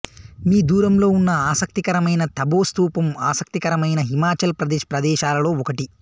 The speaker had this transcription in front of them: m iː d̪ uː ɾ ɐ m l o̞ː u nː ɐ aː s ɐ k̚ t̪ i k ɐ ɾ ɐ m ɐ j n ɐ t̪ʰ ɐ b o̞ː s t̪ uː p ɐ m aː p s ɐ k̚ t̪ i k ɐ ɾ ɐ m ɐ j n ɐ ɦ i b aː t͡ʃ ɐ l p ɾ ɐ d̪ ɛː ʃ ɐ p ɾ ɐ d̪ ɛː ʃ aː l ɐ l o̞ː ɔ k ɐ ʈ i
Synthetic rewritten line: m iː d̪ uː ɾ ɐ m l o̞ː u nː ɐ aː s ɐ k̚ t̪ i k ɐ ɾ ɐ m ɐ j n ɐ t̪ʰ ɐ b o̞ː s t̪ uː p ɐ m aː s ɐ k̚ t̪ i k ɐ ɾ ɐ m ɐ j n ɐ ɦ i m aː t͡ʃ ɐ l p ɾ ɐ d̪ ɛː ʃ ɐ p ɾ ɐ d̪ ɛː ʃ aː l ɐ l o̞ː ɔ k ɐ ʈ i